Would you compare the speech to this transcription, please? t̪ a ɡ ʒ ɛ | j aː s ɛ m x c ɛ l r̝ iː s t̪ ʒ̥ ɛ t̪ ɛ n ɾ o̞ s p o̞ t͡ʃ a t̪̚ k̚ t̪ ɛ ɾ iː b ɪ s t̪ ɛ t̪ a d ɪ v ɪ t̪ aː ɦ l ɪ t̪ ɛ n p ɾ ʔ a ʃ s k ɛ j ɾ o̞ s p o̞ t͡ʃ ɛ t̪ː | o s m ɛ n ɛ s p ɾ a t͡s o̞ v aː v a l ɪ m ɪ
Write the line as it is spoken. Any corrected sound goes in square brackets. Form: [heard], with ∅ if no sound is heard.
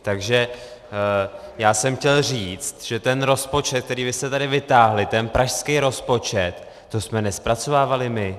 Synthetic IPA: t̪ a ɡ ʒ ɛ | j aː s ɛ m x c ɛ l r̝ iː [t͡s] t̪ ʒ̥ ɛ t̪ ɛ n ɾ o̞ s p o̞ t͡ʃ [ɛ] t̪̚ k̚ t̪ ɛ ɾ iː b ɪ s t̪ ɛ t̪ a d ɪ v ɪ t̪ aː ɦ l ɪ t̪ ɛ n p ɾ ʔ a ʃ s k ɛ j ɾ o̞ s p o̞ t͡ʃ ɛ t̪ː | o s m ɛ n ɛ s p ɾ a t͡s o̞ v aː v a l ɪ m ɪ